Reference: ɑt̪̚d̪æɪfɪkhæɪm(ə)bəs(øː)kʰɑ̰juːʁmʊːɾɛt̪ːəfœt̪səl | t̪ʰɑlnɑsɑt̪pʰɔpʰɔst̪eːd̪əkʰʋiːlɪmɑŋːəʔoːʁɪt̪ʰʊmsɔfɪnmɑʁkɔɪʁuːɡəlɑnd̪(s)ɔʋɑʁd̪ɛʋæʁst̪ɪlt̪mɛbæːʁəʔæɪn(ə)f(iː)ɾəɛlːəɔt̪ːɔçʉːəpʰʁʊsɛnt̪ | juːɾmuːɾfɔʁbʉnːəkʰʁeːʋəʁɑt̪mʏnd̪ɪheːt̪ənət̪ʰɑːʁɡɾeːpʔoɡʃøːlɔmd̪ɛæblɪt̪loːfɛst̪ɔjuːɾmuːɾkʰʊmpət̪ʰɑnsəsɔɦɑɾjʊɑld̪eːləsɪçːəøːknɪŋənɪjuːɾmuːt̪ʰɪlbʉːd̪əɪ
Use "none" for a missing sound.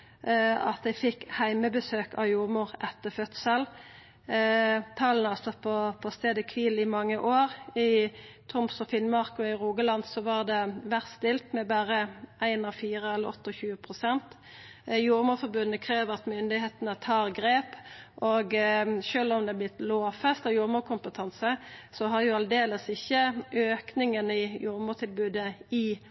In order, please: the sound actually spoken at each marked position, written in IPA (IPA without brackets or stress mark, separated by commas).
ə, øː, s, ɑ, iː